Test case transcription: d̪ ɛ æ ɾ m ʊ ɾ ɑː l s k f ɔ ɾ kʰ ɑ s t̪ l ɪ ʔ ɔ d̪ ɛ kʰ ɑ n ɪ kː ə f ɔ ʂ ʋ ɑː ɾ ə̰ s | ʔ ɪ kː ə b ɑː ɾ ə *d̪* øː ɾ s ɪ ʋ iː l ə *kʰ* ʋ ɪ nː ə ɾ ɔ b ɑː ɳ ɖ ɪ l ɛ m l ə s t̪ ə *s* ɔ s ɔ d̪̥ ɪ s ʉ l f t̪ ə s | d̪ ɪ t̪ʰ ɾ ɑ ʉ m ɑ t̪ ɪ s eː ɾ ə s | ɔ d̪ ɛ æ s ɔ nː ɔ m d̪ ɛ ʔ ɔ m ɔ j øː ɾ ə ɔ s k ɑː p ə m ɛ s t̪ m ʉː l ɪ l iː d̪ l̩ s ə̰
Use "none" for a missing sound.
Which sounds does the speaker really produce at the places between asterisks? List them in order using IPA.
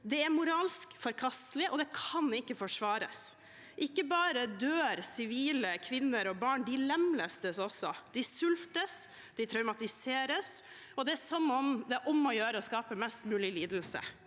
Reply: d̪, kʰ, s

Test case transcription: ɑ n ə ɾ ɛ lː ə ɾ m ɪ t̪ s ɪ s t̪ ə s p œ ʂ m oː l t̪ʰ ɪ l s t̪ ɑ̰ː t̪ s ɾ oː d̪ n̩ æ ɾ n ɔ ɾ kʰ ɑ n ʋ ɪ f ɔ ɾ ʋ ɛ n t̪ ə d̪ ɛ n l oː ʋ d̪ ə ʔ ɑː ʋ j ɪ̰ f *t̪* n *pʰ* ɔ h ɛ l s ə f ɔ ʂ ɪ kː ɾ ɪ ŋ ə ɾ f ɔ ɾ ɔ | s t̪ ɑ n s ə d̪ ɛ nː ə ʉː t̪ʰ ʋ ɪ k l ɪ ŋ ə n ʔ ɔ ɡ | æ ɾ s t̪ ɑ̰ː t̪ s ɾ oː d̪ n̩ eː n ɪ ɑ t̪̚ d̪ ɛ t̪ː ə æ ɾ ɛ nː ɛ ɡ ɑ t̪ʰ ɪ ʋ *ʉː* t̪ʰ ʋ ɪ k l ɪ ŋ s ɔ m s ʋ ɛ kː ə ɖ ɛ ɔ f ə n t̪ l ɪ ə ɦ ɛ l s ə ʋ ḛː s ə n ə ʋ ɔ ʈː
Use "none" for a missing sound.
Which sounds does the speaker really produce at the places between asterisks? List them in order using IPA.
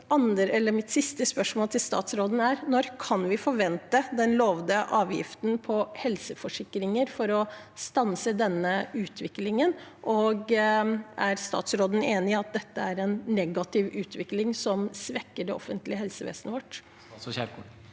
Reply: t̪, pʰ, ʉː

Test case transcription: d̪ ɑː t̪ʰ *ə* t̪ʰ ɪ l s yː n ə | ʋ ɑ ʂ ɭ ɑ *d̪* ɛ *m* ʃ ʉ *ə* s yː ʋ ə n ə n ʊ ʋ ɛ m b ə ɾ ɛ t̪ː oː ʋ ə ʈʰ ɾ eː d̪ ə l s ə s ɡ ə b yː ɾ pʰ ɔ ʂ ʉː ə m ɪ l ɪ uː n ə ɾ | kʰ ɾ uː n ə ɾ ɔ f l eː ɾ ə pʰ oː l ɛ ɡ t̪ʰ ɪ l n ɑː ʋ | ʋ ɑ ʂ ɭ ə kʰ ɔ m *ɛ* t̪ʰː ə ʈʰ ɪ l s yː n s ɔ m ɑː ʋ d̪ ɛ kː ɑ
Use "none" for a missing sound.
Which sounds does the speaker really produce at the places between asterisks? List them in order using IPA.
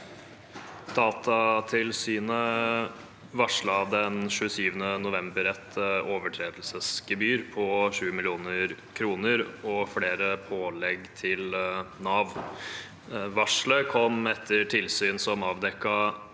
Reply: ɑ, d̪, n, ə, ɛ

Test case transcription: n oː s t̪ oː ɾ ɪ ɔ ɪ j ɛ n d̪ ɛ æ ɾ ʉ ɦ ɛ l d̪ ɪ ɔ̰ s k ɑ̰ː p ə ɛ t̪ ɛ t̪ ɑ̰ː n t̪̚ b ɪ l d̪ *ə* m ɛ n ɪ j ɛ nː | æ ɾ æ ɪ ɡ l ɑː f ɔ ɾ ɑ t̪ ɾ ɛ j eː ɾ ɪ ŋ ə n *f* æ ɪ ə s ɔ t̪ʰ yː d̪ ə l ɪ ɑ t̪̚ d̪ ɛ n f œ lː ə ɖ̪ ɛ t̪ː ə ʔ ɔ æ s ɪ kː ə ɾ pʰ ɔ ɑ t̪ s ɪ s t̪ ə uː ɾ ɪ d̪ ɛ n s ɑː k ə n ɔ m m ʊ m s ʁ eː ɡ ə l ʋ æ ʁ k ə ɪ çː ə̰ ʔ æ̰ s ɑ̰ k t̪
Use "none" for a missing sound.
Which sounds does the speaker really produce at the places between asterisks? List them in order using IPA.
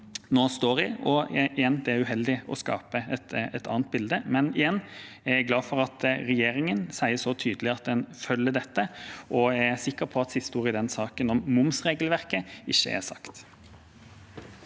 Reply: ə, s

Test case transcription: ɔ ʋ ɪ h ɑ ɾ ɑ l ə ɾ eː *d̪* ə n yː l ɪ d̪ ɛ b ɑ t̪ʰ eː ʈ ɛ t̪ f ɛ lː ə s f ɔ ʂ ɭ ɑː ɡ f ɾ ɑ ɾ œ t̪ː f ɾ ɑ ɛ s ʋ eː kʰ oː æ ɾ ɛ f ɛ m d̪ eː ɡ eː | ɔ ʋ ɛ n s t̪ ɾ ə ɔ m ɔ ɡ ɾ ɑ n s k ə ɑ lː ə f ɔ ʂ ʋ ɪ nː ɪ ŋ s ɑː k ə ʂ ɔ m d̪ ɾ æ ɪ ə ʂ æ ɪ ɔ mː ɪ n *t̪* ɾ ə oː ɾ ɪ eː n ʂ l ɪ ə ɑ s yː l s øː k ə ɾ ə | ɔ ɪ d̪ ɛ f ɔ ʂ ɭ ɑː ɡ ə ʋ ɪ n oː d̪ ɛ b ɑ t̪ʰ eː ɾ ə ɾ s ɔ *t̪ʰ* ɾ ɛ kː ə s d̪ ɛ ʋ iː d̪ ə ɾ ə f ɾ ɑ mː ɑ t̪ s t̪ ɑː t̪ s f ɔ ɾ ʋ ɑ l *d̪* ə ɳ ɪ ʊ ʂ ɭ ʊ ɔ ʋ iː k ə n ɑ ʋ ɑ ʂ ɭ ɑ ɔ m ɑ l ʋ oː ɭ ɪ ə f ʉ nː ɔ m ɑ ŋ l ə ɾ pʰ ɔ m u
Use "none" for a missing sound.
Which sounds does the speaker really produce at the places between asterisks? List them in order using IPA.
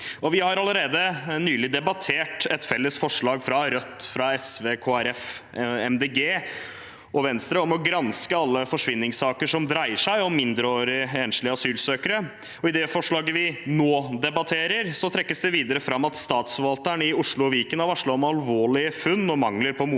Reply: d̪, d̪, t̪ʰ, t̪

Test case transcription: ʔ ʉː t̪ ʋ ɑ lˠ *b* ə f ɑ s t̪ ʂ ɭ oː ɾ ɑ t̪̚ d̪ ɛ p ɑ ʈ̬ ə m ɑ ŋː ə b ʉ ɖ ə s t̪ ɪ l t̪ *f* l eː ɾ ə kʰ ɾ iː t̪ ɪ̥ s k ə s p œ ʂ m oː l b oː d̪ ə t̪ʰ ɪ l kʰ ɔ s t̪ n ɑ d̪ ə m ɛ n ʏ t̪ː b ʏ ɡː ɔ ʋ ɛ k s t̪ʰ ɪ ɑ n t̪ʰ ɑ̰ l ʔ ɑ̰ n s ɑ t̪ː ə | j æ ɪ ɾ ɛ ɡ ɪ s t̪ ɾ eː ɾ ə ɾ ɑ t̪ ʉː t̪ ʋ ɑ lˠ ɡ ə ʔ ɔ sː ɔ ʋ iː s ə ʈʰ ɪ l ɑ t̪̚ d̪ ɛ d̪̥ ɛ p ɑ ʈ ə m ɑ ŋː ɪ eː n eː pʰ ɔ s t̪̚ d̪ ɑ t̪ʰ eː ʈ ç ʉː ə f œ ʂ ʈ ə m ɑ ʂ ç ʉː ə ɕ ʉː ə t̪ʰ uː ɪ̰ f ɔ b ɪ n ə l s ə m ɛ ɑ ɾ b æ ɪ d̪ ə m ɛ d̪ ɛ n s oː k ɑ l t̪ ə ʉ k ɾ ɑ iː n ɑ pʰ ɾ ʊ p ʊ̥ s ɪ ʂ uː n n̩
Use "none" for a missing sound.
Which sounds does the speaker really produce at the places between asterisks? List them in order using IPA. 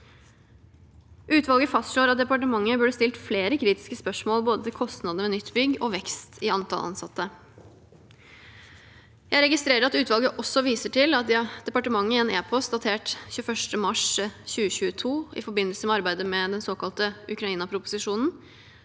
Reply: ɡ, f

